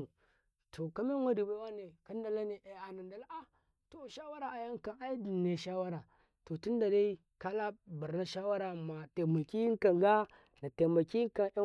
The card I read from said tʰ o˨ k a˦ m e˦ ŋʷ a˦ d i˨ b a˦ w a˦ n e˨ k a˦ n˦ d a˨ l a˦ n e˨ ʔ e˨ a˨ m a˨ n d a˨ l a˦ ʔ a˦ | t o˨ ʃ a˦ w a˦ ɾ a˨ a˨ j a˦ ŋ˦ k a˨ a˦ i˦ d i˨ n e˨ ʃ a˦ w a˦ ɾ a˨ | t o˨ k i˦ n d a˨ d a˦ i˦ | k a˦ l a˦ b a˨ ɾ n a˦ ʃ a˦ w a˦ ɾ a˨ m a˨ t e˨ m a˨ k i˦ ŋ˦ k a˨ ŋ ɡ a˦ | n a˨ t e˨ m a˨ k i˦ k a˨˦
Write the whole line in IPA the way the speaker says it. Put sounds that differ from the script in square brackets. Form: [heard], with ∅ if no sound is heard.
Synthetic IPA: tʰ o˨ k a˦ m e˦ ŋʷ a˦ d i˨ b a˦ w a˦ n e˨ k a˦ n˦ d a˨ l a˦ n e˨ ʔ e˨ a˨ [n] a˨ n d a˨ l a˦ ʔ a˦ | t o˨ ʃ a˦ w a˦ ɾ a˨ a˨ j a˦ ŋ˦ k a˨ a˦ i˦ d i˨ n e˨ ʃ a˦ w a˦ ɾ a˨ | t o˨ [t] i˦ n d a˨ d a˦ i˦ | k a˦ l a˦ b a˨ ɾ n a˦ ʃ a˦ w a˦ ɾ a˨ m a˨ t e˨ m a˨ k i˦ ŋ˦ k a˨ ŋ ɡ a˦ | n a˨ t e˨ m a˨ k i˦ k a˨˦